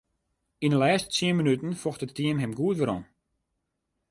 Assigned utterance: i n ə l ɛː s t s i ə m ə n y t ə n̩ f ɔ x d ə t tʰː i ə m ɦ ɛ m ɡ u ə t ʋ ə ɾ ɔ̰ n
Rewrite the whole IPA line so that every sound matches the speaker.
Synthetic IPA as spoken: i n ə l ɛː s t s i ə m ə n y t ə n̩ f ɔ x t ə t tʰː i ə m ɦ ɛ m ɡ u ə t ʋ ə ɾ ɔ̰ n